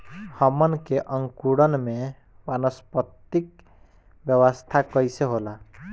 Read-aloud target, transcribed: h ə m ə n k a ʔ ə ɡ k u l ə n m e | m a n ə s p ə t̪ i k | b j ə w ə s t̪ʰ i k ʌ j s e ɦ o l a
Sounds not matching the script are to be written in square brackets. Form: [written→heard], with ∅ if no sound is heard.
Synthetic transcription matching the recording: h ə m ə n k [a→e] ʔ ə [ɡ→ŋ] k u [l→ɽ] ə n m e | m a n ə s p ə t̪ i k | b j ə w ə s t̪ʰ [i→a] k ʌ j s e ɦ o l a